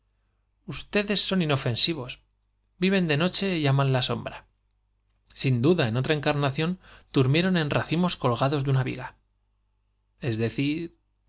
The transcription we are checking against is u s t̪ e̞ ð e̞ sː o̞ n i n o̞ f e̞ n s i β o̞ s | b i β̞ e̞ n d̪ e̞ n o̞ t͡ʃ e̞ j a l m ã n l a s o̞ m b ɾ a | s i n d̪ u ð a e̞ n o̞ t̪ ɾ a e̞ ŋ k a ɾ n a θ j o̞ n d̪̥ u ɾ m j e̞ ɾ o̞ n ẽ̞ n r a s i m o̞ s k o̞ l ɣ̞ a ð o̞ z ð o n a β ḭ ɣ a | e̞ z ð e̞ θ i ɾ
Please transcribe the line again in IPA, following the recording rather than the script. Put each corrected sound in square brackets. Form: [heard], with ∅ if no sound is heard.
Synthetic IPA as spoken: u s t̪ e̞ ð e̞ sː o̞ n i n o̞ f e̞ n s i β o̞ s | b i β̞ e̞ n d̪ e̞ n o̞ t͡ʃ e̞ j a [∅] m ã n l a s o̞ m b ɾ a | s i n d̪ u ð a e̞ n o̞ t̪ ɾ a e̞ ŋ k a ɾ n a θ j o̞ n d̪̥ u ɾ m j e̞ ɾ o̞ n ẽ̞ n r a [θ] i m o̞ s k o̞ l ɣ̞ a ð o̞ z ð [u] n a β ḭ ɣ a | e̞ z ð e̞ θ i ɾ